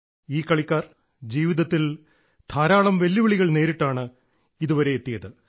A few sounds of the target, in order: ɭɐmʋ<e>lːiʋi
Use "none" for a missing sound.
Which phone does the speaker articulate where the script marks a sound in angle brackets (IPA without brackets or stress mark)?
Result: e